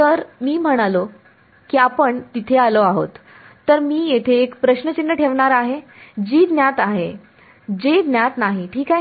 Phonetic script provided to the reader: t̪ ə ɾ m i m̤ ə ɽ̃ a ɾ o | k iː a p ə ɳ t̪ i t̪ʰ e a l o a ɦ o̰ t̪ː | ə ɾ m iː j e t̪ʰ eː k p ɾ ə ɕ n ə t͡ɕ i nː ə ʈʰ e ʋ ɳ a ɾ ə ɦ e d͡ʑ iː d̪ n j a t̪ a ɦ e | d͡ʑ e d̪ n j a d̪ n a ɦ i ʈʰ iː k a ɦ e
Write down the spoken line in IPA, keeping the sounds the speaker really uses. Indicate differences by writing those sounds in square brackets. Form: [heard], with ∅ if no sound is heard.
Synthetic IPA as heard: t̪ ə ɾ m [iː] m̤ ə ɽ̃ a [l] o | k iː a p ə ɳ t̪ i t̪ʰ e a l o a ɦ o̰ t̪ː | ə ɾ m iː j e t̪ʰ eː k p ɾ ə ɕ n ə t͡ɕ i nː ə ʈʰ e ʋ ɳ a ɾ [a] ɦ e d͡ʑ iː d̪ n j a t̪ a ɦ e | d͡ʑ e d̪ n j a [t̪] n a ɦ i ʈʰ iː k a ɦ e